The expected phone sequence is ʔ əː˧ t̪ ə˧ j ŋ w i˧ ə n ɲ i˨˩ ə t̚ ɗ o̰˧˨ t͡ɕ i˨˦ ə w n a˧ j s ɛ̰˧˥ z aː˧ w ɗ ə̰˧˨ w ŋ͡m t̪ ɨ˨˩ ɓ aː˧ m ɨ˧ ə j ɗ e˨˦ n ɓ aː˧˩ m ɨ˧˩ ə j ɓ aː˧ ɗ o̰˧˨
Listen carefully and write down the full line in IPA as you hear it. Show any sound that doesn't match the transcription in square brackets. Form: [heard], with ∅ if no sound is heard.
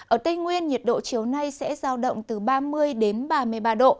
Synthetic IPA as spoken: ʔ [əː˧˩] t̪ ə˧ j ŋ w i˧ ə n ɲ i˨˩ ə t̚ ɗ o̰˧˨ t͡ɕ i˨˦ ə w n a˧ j s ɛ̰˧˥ z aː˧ w ɗ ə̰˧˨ w ŋ͡m t̪ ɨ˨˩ ɓ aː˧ m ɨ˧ ə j ɗ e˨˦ n ɓ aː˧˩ m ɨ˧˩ ə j ɓ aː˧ ɗ o̰˧˨